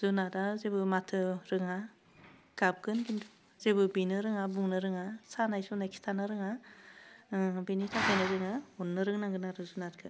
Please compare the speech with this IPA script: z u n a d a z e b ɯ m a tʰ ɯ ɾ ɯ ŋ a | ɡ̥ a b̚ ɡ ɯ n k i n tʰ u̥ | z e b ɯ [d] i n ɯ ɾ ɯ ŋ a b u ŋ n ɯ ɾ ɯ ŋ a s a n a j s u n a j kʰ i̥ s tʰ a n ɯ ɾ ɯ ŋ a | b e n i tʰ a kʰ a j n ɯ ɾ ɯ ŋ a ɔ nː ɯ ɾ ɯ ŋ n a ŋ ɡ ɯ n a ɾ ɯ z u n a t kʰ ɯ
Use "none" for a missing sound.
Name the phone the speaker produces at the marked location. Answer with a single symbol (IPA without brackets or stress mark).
b